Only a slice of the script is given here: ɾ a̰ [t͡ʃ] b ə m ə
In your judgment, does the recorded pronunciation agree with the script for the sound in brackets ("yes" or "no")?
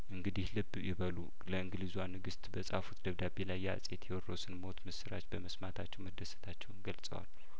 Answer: yes